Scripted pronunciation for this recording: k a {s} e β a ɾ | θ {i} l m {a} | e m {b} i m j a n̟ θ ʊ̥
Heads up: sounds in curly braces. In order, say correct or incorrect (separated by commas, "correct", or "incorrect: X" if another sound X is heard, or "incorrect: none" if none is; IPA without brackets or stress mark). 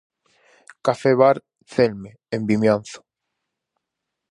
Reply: incorrect: f, incorrect: e, incorrect: e, correct